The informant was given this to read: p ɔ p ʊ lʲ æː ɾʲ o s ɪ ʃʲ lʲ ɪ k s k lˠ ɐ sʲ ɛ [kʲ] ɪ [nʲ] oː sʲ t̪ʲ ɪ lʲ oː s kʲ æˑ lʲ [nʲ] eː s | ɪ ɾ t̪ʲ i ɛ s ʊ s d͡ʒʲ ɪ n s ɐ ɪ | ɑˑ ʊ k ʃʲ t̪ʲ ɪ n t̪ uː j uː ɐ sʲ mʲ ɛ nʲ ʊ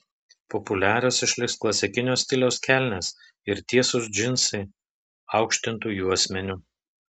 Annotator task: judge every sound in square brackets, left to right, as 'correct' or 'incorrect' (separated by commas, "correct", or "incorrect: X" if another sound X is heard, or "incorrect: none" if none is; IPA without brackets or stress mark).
correct, correct, correct